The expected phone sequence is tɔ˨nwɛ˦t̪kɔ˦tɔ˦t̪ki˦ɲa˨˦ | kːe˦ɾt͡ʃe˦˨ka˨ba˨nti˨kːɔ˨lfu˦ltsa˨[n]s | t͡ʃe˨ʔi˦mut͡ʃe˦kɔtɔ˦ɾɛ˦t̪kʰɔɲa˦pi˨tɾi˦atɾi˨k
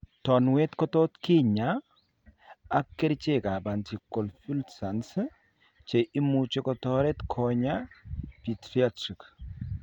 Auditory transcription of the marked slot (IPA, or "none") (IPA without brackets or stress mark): n